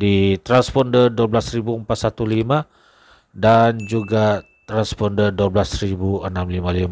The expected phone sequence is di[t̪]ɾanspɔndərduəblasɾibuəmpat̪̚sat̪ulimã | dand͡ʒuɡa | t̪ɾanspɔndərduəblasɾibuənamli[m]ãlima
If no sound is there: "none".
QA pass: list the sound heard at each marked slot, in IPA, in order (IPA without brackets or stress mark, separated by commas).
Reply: t̪, m